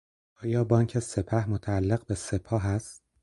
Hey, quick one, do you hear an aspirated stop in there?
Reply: yes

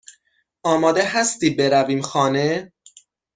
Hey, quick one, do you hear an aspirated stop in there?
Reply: no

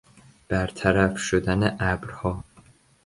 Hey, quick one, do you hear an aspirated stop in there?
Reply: yes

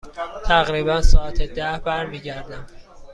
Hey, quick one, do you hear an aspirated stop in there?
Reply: yes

